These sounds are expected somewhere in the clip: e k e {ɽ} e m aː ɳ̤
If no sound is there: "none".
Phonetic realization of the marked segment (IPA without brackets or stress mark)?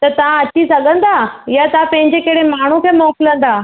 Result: ɽ